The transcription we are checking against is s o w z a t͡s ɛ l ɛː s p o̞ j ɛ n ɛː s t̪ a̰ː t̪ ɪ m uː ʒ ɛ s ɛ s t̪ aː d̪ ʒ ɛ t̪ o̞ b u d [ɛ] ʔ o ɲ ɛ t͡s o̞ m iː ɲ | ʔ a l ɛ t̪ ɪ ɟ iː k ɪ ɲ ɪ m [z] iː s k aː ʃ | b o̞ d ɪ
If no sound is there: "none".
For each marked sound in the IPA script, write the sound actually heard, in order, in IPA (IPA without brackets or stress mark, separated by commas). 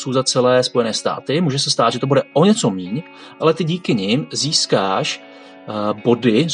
ɛ, z